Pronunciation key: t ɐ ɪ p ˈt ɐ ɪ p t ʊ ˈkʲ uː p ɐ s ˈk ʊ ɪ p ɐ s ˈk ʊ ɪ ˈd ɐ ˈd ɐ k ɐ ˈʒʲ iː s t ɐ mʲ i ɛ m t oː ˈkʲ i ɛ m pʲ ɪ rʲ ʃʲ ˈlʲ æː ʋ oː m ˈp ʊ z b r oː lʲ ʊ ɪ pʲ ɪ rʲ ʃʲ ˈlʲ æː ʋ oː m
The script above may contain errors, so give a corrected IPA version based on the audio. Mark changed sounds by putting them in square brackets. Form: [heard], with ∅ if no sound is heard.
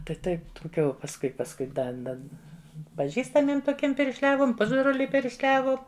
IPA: t ɐ ɪ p ˈt ɐ ɪ p t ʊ ˈkʲ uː p ɐ s ˈk ʊ ɪ p ɐ s ˈk ʊ ɪ ˈd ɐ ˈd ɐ [p] ɐ ˈʒʲ iː s t ɐ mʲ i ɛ m t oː ˈkʲ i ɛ m pʲ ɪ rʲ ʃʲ ˈlʲ æː ʋ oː m ˈp ʊ z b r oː lʲ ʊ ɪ pʲ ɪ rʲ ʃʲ ˈlʲ æː ʋ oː m